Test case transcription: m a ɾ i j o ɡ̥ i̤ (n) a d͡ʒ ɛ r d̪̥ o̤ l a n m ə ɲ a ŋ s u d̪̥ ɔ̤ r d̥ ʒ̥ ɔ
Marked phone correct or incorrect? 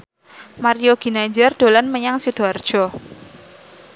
correct